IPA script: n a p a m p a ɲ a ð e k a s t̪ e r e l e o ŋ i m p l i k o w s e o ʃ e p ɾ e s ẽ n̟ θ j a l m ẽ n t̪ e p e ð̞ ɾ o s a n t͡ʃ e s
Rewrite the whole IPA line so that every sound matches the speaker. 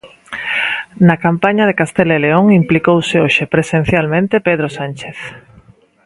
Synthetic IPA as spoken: n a k a m p a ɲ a ð e k a s t̪ e l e l e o ŋ i m p l i k o w s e o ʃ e p ɾ e s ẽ n̟ θ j a l m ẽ n t̪ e p e ð̞ ɾ o s a n t͡ʃ e θ